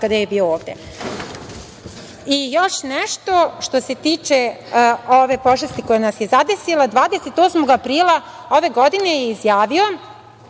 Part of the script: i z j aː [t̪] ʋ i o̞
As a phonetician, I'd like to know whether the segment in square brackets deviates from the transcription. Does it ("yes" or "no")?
yes